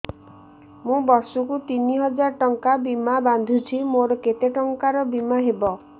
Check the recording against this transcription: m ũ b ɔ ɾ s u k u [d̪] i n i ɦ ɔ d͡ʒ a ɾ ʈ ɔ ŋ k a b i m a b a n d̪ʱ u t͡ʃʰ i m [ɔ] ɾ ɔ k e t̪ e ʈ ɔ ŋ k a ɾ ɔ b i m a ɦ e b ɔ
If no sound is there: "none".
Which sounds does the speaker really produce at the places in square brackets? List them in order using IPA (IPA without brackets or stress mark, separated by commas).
t̪, o